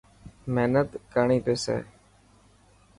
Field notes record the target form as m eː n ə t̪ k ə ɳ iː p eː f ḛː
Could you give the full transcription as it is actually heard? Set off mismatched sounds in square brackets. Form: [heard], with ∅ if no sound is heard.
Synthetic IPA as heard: m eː n ə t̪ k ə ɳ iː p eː [s] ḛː